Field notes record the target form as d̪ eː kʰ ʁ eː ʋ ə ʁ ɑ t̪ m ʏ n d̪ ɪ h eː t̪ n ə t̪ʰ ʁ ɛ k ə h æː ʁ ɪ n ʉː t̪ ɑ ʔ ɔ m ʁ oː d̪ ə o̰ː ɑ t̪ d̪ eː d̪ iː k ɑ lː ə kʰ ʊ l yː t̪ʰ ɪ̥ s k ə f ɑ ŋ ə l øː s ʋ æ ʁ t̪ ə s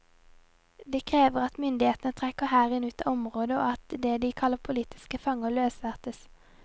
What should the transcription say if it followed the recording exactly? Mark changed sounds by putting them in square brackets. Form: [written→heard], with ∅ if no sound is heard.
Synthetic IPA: d̪ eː kʰ ʁ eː ʋ ə ʁ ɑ t̪ m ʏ n d̪ ɪ h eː t̪ n ə t̪ʰ ʁ ɛ k ə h æː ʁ ɪ n ʉː t̪ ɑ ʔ ɔ m ʁ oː d̪ ə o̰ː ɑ t̪ d̪ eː d̪ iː [k→kʰ] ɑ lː ə [kʰ→pʰ] ʊ l [yː→iː] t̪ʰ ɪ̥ s k ə f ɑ ŋ ə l øː s ʋ æ ʁ t̪ ə s